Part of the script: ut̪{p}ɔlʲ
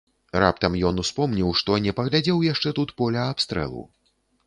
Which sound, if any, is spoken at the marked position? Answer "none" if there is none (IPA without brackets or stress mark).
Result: p